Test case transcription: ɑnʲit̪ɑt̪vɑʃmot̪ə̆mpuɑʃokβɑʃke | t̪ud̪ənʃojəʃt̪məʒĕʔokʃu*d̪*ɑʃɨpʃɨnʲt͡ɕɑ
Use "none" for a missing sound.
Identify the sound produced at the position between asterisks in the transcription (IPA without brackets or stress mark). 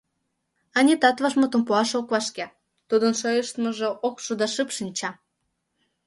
d̪